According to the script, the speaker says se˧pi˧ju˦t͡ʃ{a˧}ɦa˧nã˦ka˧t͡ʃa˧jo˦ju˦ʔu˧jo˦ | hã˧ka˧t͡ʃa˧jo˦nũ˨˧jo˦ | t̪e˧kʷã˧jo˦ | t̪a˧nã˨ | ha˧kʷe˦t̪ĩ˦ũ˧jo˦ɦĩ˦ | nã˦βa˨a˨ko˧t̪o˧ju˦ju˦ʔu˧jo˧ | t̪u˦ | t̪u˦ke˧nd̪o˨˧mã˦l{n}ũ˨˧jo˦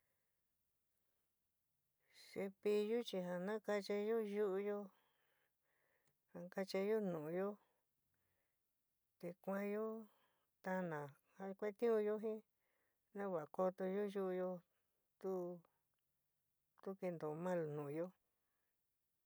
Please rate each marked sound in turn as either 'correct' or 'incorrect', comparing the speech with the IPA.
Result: incorrect: i˧, correct

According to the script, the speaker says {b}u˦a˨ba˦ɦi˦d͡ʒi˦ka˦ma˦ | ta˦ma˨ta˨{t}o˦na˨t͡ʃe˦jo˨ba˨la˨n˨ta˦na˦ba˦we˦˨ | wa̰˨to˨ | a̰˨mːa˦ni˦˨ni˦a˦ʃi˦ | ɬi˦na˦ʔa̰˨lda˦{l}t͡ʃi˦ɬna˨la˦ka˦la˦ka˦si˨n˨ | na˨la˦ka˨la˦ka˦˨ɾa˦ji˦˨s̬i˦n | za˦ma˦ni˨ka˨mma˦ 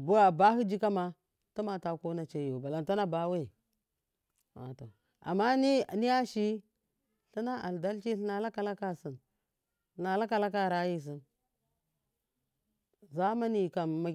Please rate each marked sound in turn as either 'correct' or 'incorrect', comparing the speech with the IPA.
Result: correct, incorrect: k, correct

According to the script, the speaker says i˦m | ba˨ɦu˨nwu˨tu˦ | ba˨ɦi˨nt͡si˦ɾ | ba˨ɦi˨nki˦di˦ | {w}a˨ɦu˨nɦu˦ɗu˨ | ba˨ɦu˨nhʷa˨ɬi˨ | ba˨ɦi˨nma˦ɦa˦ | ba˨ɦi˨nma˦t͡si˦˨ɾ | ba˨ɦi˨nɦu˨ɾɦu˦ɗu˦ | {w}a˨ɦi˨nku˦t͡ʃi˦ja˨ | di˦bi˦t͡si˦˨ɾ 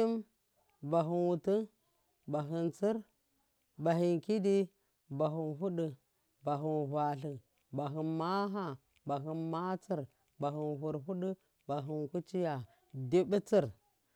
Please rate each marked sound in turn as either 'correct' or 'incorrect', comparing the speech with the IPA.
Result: incorrect: b, incorrect: b

